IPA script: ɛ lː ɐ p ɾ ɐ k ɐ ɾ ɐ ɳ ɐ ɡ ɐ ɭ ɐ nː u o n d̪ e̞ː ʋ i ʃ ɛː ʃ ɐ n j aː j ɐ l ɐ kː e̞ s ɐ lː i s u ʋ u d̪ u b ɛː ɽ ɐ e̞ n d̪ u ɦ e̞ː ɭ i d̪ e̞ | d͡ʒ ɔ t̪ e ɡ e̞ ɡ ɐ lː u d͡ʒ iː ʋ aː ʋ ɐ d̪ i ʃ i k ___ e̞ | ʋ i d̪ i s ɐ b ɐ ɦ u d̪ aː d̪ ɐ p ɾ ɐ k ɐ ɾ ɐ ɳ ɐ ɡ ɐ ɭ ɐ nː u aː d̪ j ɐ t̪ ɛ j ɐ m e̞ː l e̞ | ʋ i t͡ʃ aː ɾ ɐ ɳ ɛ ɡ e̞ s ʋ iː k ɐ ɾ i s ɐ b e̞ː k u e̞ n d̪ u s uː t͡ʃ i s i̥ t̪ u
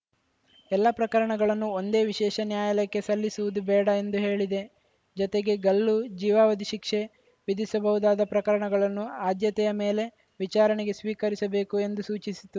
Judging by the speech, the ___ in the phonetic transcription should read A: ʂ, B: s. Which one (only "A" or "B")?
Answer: A